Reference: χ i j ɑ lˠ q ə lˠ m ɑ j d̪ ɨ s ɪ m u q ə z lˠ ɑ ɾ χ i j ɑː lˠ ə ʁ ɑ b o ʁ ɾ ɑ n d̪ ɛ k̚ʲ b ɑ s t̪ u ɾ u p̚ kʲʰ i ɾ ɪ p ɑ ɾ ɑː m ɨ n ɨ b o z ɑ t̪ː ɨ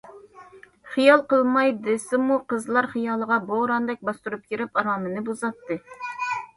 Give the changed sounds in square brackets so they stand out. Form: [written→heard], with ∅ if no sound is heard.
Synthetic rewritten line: χ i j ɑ lˠ q ə lˠ m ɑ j d̪ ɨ s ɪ m u q ə z lˠ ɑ ɾ χ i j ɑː lˠ ə ʁ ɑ b o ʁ ɾ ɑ n d̪ ɛ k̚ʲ b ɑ s t̪ u ɾ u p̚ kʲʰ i ɾ ɪ p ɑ ɾ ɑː m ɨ n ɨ b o z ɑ t̪ː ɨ